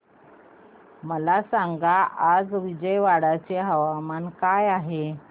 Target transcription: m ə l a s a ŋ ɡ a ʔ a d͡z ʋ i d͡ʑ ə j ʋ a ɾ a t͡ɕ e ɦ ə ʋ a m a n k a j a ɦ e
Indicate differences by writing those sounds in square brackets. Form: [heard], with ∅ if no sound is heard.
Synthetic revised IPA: m ə l a s a ŋ ɡ a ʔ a d͡z ʋ i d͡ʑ ə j ʋ a [ɽ] a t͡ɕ e ɦ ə ʋ a m a n k a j a ɦ e